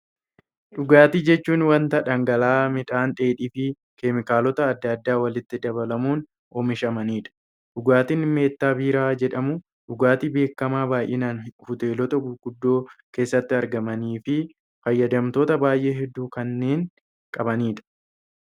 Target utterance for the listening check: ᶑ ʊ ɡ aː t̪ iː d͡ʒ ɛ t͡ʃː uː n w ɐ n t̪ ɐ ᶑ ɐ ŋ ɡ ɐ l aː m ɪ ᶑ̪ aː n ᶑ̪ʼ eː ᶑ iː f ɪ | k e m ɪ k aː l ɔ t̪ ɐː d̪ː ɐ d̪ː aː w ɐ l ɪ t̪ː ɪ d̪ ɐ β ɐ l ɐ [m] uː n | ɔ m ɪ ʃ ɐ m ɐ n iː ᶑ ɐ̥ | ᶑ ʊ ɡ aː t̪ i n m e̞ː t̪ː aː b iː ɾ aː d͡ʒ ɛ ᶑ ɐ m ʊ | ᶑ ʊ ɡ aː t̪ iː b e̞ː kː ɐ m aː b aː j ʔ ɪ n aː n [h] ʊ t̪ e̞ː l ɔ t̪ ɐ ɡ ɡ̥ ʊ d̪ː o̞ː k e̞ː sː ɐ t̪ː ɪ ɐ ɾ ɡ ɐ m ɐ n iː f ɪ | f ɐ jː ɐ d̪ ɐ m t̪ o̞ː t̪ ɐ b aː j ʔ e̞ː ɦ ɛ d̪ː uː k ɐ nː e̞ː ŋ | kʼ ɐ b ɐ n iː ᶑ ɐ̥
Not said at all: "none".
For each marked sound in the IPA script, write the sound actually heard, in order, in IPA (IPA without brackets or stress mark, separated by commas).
m, h